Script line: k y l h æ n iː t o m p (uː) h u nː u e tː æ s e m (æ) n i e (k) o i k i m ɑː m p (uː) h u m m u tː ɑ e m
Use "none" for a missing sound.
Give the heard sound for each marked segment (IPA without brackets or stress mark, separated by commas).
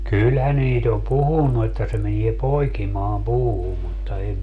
u, e, p, uː